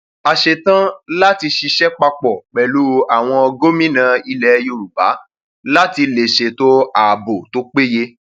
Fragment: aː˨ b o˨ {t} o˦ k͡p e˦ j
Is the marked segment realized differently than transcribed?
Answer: no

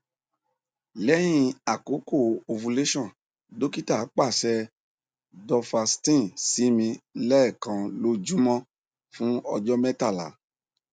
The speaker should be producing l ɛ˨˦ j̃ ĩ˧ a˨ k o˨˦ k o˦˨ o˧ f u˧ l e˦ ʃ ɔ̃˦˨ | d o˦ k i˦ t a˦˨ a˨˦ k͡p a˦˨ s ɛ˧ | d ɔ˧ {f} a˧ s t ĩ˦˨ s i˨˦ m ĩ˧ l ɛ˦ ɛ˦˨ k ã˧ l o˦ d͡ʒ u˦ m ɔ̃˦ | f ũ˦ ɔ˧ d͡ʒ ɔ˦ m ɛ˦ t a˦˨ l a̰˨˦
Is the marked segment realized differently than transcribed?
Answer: no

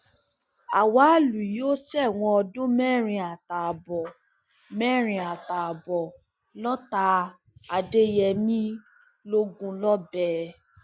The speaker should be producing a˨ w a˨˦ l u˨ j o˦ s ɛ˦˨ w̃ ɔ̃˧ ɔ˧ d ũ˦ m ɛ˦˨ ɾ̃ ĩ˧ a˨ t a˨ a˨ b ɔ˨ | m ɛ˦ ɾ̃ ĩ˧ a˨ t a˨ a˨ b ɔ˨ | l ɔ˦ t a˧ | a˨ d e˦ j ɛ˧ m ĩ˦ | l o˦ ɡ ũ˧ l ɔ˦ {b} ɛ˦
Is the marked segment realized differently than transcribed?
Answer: no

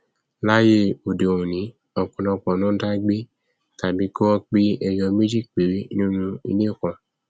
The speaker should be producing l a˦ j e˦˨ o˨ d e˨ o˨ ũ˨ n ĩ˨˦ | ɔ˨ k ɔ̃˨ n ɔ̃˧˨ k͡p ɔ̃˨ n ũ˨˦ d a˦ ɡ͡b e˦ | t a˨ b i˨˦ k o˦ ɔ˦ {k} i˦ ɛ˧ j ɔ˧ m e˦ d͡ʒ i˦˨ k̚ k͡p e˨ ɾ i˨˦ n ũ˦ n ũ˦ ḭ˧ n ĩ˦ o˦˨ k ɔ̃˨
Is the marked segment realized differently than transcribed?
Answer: yes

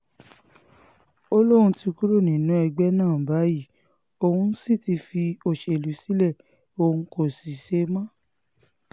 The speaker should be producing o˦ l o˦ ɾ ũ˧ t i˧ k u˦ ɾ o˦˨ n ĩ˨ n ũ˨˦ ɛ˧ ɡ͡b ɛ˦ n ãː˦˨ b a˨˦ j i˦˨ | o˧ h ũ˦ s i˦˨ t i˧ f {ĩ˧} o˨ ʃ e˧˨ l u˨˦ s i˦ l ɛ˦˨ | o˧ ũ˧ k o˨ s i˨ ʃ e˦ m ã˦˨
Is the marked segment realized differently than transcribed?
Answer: yes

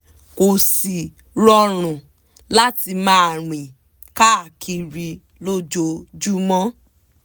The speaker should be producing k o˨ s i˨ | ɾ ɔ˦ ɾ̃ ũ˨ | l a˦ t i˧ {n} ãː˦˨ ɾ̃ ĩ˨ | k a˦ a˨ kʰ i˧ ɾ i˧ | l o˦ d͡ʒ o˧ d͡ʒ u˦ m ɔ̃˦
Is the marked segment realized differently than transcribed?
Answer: yes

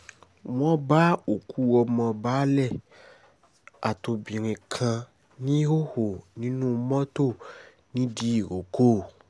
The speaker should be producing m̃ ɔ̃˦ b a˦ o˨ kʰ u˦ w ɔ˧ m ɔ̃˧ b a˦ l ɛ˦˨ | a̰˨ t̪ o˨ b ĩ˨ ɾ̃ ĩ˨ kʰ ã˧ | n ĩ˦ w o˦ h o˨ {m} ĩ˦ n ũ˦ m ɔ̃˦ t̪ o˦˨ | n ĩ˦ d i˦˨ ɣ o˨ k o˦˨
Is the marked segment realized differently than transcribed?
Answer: yes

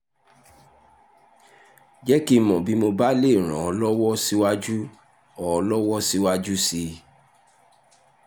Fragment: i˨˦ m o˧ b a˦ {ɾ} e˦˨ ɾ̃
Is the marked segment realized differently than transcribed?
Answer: yes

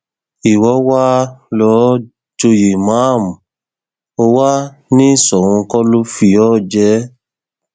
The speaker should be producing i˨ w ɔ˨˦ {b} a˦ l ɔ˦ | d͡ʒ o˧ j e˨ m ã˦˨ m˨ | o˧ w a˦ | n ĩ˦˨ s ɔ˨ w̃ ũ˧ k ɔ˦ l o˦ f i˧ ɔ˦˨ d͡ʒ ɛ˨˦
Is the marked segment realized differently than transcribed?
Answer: yes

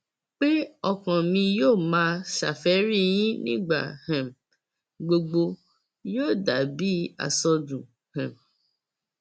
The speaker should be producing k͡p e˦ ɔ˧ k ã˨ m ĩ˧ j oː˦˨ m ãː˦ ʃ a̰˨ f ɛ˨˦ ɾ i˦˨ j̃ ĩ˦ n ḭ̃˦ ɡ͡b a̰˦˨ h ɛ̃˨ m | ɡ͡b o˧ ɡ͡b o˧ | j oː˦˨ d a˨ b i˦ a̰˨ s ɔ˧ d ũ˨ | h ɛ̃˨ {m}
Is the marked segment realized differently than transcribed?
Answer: no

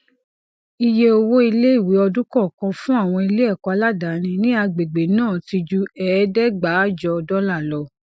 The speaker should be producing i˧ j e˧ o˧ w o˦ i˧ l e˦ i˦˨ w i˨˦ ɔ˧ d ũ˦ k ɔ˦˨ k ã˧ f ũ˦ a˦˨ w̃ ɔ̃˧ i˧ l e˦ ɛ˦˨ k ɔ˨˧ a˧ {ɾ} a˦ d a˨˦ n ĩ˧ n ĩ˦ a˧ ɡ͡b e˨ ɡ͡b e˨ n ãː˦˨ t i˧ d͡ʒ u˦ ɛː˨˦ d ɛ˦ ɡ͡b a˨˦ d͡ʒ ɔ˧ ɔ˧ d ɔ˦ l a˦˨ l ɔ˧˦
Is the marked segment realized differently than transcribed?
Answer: yes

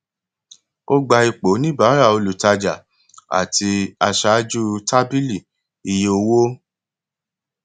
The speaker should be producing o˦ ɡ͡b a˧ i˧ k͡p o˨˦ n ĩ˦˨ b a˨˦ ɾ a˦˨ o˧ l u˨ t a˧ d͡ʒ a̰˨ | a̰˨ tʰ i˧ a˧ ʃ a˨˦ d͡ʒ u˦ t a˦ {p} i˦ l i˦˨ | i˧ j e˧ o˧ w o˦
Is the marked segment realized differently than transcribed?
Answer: yes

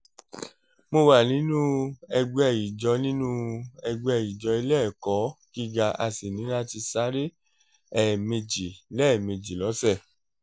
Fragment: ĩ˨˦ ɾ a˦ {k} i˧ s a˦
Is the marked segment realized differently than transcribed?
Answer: yes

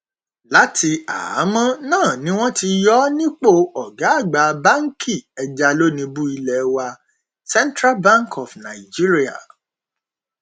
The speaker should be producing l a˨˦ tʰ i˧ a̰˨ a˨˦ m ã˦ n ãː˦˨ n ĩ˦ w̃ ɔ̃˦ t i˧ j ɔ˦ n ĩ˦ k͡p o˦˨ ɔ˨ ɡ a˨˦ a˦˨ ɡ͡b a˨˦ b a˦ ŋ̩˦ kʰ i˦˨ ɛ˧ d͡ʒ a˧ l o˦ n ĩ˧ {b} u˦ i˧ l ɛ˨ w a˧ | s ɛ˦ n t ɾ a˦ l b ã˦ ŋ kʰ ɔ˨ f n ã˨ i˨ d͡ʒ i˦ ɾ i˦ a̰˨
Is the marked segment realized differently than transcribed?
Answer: no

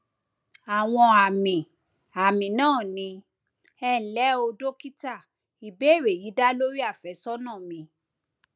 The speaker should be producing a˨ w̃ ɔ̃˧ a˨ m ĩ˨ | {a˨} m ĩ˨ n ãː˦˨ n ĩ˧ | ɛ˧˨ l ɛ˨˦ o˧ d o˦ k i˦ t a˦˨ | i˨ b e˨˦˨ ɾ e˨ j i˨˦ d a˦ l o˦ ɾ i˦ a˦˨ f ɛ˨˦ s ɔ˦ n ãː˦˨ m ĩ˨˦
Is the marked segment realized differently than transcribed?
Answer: no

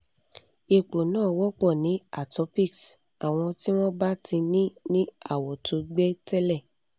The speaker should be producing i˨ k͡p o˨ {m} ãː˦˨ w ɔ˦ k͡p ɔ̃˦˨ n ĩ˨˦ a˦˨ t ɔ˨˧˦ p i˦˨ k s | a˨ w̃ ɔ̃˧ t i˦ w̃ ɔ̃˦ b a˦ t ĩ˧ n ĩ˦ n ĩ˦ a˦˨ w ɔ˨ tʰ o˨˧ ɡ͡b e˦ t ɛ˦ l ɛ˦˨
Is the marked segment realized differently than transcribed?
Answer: yes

